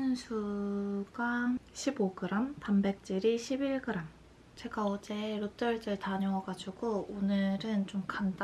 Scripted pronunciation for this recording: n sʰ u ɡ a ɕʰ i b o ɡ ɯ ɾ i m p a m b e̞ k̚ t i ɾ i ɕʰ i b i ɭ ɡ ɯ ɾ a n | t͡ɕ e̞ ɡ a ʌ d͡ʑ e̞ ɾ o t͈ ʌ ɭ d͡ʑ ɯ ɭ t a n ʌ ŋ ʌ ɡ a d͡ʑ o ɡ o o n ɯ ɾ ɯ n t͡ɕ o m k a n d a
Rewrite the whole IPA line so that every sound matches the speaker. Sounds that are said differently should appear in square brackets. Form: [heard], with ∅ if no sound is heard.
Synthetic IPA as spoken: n sʰ u ɡ a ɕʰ i b o ɡ ɯ ɾ [a] m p a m b e̞ k̚ [t͡ɕ͈] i ɾ i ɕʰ i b i ɭ ɡ ɯ ɾ a [m] | t͡ɕ e̞ ɡ a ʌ d͡ʑ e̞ ɾ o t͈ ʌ ɭ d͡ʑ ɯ ɭ t a [ɲ] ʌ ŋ ʌ ɡ a d͡ʑ [u] ɡ o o n ɯ ɾ ɯ n t͡ɕ o m k a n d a